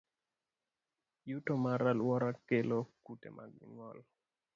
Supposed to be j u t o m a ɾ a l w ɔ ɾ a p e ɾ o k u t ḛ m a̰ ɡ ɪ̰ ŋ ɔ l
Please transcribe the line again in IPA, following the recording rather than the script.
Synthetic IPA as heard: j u t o m a ɾ a l w ɔ ɾ a k e l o k u t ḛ m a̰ ɡ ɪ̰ ŋ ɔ l